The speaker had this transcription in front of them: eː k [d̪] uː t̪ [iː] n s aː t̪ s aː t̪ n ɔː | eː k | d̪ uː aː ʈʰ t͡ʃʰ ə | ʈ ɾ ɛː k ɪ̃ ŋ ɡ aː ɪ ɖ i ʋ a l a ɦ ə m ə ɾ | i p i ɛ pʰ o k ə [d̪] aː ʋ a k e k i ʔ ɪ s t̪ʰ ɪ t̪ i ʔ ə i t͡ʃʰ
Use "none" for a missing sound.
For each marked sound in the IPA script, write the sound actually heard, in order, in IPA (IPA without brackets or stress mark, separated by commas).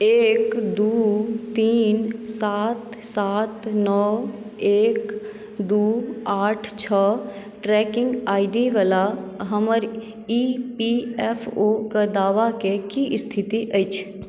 d̪, iː, d̪